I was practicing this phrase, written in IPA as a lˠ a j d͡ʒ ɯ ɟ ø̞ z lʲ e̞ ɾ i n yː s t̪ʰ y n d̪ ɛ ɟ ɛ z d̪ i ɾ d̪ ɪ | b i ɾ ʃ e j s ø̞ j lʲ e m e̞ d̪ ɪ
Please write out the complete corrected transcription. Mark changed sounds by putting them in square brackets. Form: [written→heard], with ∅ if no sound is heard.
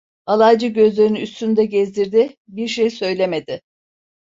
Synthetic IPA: a lˠ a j d͡ʒ ɯ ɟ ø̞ z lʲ e̞ ɾ i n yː s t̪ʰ y n d̪ ɛ ɟ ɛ z d̪ i ɾ d̪ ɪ | b i ɾ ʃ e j s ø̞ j lʲ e m e̞ d̪ ɪ